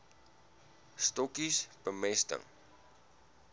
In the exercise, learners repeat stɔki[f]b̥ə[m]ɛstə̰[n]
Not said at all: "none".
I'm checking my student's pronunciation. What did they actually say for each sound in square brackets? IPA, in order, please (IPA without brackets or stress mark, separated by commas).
s, m, ŋ